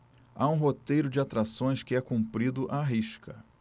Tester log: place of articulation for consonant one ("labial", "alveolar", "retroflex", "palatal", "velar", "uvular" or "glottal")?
glottal